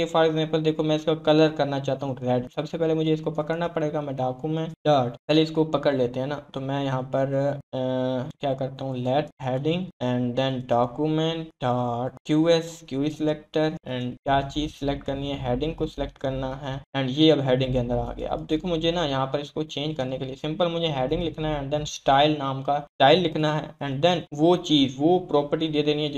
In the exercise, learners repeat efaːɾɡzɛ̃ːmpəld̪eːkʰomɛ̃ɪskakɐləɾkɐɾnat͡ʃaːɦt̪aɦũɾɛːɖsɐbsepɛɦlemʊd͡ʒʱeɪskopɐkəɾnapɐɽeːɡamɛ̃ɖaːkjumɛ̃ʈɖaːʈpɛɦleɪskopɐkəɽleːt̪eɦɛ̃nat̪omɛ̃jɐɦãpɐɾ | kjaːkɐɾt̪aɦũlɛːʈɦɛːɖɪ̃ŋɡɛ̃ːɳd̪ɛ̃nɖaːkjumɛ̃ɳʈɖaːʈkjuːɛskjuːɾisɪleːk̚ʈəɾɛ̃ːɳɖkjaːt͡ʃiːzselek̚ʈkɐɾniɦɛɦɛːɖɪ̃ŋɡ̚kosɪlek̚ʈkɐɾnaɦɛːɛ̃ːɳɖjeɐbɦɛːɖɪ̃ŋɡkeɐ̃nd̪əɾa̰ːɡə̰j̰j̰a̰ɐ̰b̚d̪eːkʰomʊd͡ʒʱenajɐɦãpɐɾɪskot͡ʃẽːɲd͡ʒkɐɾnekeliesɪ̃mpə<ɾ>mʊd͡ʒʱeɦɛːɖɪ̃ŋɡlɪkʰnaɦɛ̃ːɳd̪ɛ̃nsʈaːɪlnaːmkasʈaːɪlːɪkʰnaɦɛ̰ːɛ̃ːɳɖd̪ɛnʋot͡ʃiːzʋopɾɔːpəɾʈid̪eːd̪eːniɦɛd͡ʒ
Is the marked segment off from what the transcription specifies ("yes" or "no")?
yes